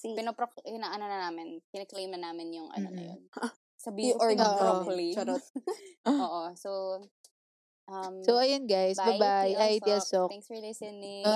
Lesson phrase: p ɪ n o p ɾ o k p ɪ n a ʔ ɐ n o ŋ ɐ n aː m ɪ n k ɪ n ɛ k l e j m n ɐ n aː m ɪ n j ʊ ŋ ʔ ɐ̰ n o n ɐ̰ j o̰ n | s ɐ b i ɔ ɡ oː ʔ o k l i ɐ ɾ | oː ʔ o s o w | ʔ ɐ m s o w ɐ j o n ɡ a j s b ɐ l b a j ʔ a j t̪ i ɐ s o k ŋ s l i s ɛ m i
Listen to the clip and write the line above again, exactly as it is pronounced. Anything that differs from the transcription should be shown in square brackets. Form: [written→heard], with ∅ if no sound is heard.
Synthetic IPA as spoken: p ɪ n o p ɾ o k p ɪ n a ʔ ɐ n o [ŋ→n] ɐ n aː m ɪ n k ɪ n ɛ k l e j m n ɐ n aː m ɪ n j ʊ ŋ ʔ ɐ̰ n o n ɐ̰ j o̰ n | s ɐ b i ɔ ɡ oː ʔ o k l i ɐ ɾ | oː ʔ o s o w | ʔ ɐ m s o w ɐ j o n ɡ a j s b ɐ [l→∅] b a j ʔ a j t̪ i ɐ s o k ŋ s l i s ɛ [m→n] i